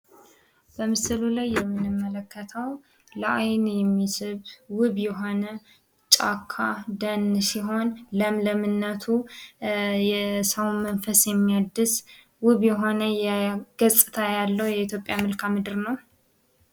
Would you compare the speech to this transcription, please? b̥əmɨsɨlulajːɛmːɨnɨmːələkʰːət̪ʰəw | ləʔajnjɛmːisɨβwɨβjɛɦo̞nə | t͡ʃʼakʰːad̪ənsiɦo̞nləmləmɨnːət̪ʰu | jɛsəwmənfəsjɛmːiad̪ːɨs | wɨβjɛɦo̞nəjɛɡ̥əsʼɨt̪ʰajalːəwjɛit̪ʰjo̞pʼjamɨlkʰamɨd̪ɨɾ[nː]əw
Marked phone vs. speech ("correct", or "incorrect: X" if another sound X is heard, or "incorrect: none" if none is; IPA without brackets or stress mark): incorrect: n